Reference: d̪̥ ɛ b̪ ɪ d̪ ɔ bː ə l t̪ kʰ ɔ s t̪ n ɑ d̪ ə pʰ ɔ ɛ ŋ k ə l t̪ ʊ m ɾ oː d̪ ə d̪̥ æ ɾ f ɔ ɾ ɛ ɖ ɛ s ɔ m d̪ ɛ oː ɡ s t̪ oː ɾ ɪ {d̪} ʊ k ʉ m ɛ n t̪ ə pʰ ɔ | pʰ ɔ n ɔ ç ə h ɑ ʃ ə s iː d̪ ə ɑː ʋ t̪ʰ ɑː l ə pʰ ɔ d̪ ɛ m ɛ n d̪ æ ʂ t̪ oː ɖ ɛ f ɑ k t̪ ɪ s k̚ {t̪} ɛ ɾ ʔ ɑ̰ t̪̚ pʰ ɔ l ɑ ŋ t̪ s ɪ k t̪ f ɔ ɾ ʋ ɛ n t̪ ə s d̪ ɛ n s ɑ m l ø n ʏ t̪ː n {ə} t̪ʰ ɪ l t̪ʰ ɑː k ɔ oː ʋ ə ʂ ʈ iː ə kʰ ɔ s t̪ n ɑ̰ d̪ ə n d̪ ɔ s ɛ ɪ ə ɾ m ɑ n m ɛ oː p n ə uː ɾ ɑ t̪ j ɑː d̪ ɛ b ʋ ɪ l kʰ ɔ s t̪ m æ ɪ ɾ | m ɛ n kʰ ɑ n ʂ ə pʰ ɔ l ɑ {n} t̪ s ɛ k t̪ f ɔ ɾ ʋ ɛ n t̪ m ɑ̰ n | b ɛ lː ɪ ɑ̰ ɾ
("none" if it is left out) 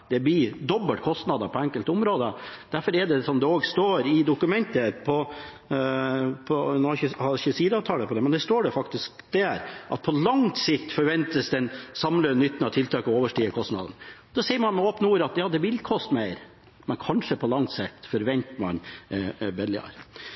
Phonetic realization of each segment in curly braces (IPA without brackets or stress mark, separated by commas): d̪, d̪, ɑ, ŋ